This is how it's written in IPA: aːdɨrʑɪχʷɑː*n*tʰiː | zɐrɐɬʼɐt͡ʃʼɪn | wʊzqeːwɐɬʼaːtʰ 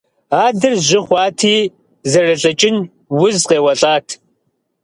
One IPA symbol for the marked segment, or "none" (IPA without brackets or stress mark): none